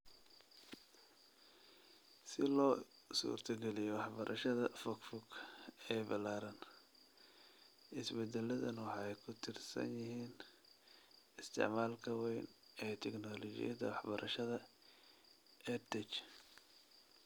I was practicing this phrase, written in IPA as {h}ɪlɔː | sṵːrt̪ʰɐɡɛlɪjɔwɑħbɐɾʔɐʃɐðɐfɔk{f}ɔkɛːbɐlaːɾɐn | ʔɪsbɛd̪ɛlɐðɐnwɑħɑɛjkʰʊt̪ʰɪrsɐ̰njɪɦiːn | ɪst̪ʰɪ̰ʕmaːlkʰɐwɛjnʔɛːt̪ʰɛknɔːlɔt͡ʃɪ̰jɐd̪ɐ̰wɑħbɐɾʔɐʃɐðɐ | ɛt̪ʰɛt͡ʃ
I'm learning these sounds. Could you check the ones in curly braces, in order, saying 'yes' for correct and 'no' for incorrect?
no, yes

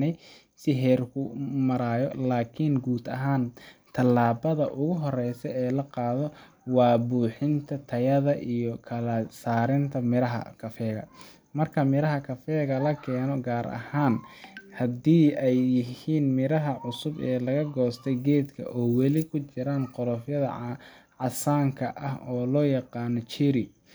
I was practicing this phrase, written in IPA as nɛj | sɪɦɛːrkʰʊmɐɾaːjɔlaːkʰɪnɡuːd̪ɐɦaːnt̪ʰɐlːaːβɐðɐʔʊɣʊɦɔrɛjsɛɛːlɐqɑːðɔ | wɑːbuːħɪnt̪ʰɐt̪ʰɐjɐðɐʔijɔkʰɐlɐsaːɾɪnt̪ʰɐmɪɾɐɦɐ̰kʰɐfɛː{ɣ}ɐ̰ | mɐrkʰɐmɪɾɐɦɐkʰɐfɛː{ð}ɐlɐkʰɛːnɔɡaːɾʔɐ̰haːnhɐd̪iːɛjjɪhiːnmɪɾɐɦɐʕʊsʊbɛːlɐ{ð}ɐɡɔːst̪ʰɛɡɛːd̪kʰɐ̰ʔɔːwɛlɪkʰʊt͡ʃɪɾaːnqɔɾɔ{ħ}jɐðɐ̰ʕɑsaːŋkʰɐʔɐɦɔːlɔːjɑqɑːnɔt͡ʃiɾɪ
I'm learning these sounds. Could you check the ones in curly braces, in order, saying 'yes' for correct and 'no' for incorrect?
yes, no, no, no

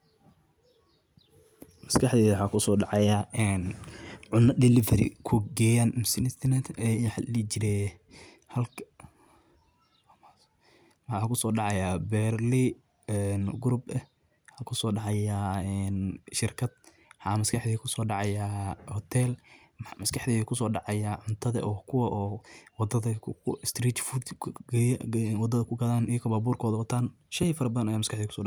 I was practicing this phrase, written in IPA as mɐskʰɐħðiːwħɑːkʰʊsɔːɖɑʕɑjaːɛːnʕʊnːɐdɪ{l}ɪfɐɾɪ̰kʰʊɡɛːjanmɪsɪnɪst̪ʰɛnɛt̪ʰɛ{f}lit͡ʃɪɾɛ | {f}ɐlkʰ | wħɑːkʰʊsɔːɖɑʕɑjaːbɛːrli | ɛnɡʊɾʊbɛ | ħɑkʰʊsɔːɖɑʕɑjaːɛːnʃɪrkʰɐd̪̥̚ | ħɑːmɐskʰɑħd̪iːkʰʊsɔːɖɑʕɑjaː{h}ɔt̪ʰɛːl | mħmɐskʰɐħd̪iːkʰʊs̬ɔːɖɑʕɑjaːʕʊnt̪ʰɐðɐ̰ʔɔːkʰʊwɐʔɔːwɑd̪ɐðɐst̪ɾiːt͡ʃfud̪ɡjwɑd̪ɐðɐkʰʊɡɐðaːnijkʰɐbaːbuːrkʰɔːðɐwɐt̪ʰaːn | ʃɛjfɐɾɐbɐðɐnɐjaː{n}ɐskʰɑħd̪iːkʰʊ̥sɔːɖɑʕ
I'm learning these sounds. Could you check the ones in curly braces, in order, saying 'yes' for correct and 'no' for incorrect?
yes, no, no, yes, no

